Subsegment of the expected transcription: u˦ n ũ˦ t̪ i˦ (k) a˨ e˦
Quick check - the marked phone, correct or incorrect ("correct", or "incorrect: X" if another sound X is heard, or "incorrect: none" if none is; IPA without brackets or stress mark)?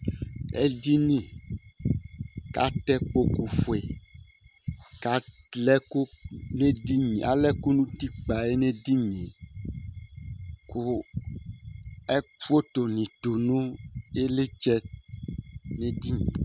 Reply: incorrect: k͡p